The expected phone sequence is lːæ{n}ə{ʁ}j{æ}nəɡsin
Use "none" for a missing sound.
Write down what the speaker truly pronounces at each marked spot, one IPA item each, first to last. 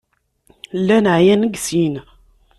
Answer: n, ʕ, æ

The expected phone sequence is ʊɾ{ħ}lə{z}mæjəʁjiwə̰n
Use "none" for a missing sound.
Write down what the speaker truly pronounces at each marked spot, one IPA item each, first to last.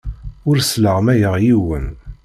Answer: s, ʁ

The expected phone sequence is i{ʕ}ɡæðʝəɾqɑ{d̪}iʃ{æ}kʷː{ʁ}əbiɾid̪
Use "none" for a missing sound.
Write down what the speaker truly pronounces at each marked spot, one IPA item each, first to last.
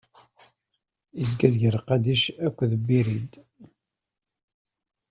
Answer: z, d̪, æ, ð

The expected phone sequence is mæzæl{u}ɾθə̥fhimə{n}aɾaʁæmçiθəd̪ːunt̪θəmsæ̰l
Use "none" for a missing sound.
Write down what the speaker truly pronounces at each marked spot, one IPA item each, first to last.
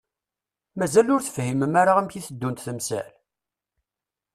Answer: ʊ, m

